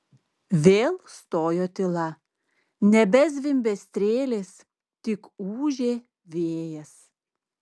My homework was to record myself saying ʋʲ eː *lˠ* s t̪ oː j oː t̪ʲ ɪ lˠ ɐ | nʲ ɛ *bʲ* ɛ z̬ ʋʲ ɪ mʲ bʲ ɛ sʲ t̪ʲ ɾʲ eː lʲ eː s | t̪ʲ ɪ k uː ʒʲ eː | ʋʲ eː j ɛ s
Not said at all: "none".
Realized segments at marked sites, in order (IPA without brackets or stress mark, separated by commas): lˠ, bʲ